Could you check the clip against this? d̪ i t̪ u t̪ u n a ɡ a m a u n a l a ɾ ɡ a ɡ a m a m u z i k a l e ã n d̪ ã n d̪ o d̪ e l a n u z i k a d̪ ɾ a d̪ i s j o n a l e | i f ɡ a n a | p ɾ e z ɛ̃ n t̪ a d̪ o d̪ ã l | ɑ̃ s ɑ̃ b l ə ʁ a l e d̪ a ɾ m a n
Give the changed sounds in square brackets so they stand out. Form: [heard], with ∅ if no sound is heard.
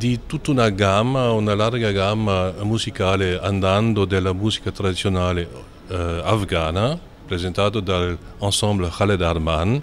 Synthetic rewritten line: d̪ i t̪ u t̪ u n a ɡ a m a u n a l a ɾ ɡ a ɡ a m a m u z i k a l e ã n d̪ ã n d̪ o d̪ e l a [m] u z i k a [t̪] ɾ a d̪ i s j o n a l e | [a] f ɡ a n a | p ɾ e z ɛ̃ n t̪ a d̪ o d̪ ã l | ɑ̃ s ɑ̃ b l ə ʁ a l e d̪ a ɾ m a n

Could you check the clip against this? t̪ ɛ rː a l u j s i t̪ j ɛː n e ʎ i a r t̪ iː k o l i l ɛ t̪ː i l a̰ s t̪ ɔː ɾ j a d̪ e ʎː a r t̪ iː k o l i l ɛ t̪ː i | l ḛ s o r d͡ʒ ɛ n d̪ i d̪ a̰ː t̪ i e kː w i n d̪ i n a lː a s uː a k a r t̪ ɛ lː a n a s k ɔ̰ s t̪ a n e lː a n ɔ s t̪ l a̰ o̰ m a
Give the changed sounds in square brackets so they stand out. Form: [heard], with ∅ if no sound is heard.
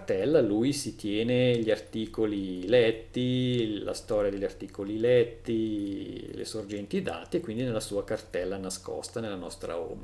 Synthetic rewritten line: t̪ ɛ [lː] a l u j s i t̪ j ɛː n e ʎ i a r t̪ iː k o l i l ɛ t̪ː i l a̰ s t̪ ɔː ɾ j a d̪ e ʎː a r t̪ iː k o l i l ɛ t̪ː i | l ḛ s o r d͡ʒ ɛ n [t̪] i d̪ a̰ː t̪ i e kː w i n d̪ i n [e] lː a s uː a k a r t̪ ɛ lː a n a s k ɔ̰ s t̪ a n e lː a n ɔ s t̪ [ɾ] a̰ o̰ m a

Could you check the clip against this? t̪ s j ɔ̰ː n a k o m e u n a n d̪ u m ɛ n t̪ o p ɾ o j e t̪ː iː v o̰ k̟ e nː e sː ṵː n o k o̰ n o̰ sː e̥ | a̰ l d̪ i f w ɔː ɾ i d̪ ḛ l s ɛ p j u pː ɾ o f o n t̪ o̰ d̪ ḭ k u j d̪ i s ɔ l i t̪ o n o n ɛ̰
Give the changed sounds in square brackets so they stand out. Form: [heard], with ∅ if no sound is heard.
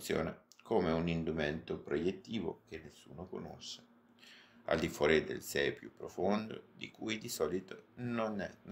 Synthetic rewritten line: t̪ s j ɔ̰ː n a k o m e u n [i] n d̪ u m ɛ n t̪ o p ɾ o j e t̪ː iː v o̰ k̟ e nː e sː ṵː n o k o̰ n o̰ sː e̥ | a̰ l d̪ i f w ɔː ɾ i d̪ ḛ l s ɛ p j u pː ɾ o f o n [d̪] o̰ d̪ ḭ k u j d̪ i s ɔ l i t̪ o n o n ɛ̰

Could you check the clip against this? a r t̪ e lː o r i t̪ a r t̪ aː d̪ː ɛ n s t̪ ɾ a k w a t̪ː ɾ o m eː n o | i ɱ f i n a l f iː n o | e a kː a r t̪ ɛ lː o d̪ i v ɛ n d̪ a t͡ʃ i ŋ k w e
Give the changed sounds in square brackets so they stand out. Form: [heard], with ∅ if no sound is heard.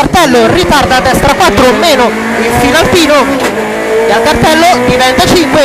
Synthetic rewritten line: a r t̪ [ɛ] lː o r i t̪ a r [d̪] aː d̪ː ɛ [∅] s t̪ ɾ a k w a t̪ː ɾ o m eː n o | i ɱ f i n a l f iː n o | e a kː a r t̪ ɛ lː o d̪ i v ɛ n [t̪] a t͡ʃ i ŋ k w e

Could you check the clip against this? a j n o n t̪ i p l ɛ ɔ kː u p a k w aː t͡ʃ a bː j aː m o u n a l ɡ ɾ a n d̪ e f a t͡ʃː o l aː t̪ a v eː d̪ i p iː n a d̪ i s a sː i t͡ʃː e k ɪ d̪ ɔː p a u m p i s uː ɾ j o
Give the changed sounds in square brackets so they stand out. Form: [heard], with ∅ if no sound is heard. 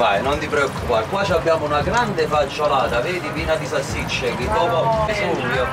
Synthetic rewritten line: a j n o n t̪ i p [ɾ] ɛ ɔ kː u p a k w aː t͡ʃ a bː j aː m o u n a [∅] ɡ ɾ a n d̪ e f a t͡ʃː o l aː t̪ a v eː d̪ i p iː n a d̪ i s a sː i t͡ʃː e k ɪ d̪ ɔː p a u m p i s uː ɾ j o

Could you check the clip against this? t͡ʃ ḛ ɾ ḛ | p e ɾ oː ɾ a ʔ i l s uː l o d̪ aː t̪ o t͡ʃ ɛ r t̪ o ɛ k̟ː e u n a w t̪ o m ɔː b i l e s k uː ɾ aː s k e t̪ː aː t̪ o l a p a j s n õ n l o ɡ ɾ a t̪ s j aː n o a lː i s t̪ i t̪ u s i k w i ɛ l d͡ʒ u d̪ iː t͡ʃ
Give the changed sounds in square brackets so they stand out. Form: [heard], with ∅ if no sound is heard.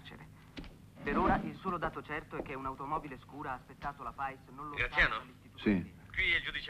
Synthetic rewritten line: t͡ʃ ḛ ɾ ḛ | p e ɾ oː ɾ a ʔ i l s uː l o d̪ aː t̪ o t͡ʃ ɛ r t̪ o ɛ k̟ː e u n a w t̪ o m ɔː b i l e s k uː ɾ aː s [p] e t̪ː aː t̪ o l a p a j s n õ n l o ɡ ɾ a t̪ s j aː n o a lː i s t̪ i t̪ u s i k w i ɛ l d͡ʒ u d̪ [i] t͡ʃ

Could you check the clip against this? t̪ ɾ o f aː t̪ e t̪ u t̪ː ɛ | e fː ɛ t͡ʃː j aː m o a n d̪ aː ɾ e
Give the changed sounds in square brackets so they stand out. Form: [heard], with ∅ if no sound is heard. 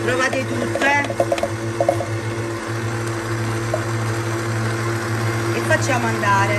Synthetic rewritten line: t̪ ɾ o [v] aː t̪ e t̪ u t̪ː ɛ | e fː [a] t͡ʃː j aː m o a n d̪ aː ɾ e

